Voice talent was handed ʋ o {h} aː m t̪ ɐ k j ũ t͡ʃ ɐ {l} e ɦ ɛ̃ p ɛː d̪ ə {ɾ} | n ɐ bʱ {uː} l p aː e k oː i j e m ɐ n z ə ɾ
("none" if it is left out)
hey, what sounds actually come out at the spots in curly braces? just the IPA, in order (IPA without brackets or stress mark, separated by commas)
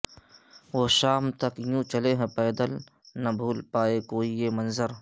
ʃ, l, l, uː